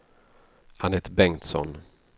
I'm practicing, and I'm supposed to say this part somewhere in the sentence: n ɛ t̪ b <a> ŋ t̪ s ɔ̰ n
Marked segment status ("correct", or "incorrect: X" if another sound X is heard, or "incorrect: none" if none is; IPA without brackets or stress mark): incorrect: ɛ